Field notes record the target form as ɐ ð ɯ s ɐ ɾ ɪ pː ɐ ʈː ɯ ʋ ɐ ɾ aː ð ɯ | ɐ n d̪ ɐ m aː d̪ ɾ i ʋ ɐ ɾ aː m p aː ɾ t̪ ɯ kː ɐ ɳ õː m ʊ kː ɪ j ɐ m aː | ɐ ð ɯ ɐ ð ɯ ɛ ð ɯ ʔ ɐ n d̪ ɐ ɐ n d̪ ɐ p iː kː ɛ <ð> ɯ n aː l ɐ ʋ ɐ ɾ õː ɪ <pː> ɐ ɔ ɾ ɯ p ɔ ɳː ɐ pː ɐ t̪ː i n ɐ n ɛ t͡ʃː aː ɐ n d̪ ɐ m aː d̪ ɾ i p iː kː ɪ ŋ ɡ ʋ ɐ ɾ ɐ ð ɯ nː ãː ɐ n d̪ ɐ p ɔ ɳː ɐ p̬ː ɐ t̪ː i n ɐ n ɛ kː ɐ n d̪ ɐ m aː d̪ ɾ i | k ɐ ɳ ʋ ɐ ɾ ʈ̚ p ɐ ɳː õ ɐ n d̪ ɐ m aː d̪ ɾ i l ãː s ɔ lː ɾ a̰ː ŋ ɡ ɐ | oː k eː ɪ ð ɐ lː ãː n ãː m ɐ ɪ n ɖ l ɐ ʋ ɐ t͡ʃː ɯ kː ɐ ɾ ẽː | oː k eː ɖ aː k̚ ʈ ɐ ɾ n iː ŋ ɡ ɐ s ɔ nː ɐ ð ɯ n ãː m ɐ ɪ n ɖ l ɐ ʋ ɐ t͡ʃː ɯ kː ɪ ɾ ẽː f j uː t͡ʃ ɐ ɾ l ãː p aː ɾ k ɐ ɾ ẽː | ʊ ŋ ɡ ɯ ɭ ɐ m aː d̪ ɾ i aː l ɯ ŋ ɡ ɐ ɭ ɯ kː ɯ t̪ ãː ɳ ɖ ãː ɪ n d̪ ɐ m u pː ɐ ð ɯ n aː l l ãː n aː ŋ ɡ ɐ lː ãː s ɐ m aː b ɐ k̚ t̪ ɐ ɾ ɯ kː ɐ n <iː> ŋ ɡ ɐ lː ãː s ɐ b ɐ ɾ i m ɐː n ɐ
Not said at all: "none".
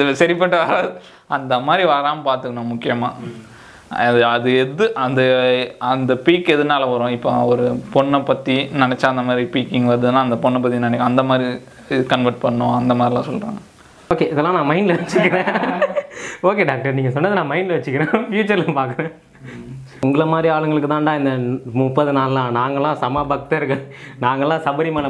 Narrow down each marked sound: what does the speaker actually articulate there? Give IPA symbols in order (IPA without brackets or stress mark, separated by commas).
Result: ð, pː, aː